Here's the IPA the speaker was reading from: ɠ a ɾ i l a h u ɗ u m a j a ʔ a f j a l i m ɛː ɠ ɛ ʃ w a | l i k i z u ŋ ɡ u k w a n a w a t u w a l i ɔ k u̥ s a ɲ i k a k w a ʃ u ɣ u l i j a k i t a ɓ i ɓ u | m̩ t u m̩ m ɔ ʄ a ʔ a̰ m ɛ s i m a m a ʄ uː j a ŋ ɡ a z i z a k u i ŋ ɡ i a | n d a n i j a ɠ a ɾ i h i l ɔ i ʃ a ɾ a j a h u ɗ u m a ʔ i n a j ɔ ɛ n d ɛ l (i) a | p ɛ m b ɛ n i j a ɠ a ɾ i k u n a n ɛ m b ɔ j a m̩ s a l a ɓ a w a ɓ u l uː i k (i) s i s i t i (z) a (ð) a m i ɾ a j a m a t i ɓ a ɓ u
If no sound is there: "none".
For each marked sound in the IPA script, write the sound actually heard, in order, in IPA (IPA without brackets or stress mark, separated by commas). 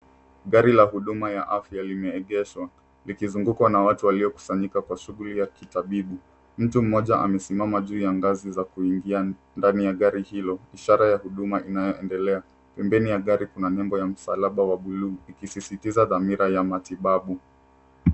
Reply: ɛ, i, z, ð